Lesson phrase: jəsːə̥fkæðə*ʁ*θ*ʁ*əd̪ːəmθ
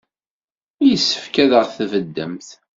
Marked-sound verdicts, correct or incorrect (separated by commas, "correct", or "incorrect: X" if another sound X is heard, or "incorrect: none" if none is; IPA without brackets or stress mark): correct, incorrect: v